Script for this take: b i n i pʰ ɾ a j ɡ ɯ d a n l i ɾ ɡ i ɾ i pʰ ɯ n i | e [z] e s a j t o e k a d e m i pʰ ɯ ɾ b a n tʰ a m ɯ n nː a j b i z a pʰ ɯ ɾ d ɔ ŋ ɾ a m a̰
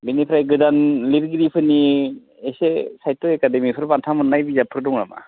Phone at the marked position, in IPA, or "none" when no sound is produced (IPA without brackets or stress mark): s